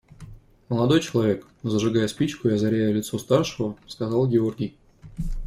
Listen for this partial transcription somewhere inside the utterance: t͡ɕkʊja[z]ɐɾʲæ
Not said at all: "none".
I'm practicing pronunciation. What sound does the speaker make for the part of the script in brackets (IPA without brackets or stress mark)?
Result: z